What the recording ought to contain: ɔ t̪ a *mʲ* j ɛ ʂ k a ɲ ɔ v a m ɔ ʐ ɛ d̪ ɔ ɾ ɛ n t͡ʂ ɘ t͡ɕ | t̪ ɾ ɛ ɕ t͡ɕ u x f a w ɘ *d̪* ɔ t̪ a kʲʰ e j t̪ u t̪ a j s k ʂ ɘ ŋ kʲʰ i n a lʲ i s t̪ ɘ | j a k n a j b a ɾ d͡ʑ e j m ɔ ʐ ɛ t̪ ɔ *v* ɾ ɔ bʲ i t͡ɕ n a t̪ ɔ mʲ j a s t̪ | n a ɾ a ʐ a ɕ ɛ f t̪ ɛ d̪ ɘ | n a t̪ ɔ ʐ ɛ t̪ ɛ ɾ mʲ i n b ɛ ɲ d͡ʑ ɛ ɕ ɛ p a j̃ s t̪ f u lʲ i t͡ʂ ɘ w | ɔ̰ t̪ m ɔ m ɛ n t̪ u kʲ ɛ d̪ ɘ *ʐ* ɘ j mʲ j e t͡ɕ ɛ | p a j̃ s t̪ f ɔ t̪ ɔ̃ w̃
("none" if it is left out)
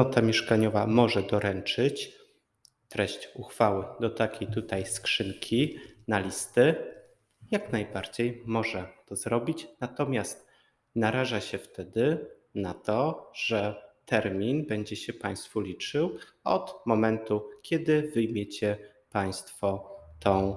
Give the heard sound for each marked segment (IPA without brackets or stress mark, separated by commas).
mʲ, d̪, z, v